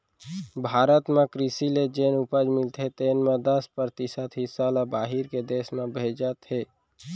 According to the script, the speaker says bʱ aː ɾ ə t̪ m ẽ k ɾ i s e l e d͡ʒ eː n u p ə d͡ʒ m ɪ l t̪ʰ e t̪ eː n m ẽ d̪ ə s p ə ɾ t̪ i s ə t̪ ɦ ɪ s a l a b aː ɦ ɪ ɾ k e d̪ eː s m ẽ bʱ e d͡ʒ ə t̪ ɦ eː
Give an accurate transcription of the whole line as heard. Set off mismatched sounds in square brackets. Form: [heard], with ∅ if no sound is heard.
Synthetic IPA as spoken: bʱ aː ɾ ə t̪ m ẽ k ɾ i s [i] l e d͡ʒ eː n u p ə d͡ʒ m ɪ l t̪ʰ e t̪ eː n m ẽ d̪ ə s p ə ɾ t̪ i s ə t̪ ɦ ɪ s a l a b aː ɦ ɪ ɾ k e d̪ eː s m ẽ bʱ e d͡ʒ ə t̪ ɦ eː